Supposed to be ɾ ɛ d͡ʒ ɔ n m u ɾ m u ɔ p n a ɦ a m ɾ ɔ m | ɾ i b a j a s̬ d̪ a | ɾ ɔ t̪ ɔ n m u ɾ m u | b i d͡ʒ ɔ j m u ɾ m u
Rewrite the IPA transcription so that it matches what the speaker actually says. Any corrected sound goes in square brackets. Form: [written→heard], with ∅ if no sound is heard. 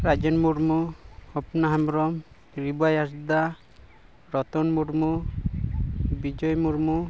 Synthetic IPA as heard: ɾ [ɛ→a] d͡ʒ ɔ n m u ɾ m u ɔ p n a ɦ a m ɾ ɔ m | ɾ i b a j a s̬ d̪ a | ɾ ɔ t̪ ɔ n m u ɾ m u | b i d͡ʒ ɔ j m u ɾ m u